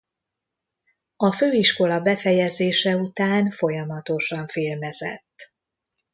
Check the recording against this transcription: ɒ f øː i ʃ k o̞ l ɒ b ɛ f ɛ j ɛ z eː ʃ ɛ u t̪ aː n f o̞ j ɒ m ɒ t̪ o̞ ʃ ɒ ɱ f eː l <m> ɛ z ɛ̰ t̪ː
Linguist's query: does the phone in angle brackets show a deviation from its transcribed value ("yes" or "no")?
no